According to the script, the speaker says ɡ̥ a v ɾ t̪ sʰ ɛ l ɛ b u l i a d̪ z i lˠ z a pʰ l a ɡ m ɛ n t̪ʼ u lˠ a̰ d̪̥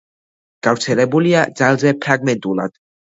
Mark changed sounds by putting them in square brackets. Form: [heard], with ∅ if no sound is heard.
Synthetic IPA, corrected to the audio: ɡ̥ a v ɾ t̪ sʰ ɛ l ɛ b u l i a d̪ z [a] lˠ z [ɛ] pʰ [ɾ] a ɡ m ɛ n t̪ʼ u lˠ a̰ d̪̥